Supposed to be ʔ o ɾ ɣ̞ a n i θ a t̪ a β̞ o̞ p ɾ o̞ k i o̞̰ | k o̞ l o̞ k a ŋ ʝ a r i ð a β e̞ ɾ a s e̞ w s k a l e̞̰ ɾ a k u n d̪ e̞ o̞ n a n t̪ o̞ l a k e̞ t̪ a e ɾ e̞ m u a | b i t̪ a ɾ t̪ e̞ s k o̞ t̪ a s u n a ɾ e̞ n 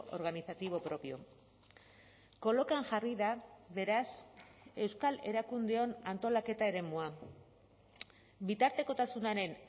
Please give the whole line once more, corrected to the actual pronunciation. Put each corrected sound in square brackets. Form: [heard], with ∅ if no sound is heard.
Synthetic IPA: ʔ o ɾ ɣ̞ a n i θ a t̪ [i] β̞ o̞ p ɾ o̞ [p] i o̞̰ | k o̞ l o̞ k a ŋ ʝ a r i ð a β e̞ ɾ a s e̞ w s k a l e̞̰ ɾ a k u n d̪ e̞ o̞ n a n t̪ o̞ l a k e̞ t̪ a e ɾ e̞ m u a | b i t̪ a ɾ t̪ e̞ [∅] k o̞ t̪ a s u n a ɾ e̞ n